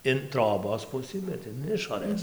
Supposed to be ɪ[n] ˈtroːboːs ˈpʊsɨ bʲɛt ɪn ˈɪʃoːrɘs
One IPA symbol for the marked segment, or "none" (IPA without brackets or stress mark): n